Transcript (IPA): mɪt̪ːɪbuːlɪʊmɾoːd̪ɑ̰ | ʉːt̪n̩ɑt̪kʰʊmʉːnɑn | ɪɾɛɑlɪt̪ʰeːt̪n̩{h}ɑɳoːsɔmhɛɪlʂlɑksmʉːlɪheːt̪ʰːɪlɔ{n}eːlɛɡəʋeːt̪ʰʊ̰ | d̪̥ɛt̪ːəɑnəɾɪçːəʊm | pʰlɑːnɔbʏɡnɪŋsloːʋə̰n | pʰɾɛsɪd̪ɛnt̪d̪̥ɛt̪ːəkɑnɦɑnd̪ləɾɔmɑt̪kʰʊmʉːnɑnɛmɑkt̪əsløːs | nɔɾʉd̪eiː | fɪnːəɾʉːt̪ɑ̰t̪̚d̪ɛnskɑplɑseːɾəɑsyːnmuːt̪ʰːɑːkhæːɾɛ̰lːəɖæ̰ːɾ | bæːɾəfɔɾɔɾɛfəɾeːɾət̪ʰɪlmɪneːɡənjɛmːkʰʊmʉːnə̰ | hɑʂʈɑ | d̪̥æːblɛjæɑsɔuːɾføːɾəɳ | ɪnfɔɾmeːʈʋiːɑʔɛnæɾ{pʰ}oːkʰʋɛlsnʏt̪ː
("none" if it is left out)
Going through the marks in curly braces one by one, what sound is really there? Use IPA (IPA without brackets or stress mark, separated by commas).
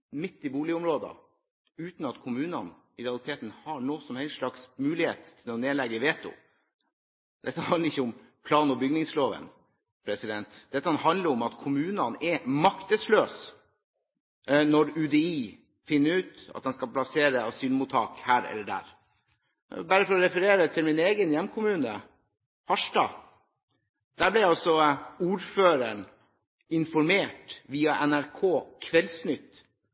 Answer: h, n, kʰ